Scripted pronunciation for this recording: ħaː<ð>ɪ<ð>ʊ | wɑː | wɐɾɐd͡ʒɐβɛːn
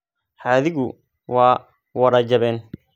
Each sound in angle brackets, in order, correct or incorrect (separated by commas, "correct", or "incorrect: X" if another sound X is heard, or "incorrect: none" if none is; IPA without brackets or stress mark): correct, incorrect: ɣ